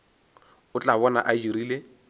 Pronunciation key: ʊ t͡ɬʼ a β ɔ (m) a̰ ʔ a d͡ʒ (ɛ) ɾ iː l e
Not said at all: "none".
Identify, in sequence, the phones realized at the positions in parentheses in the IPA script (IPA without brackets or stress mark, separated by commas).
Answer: n, i